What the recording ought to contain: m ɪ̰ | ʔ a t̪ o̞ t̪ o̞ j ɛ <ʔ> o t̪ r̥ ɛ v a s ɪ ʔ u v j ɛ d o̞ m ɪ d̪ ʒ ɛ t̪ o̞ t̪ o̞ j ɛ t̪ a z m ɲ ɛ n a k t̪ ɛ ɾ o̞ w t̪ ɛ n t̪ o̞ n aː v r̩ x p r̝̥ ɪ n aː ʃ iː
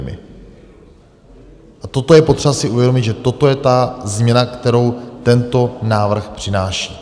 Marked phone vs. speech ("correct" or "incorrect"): incorrect